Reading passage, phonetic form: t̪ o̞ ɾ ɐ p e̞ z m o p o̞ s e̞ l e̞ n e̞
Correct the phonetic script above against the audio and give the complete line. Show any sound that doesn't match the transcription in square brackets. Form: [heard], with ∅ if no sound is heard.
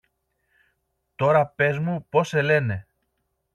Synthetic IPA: t̪ o̞ ɾ ɐ p e̞ z m [u] p o̞ s e̞ l e̞ n e̞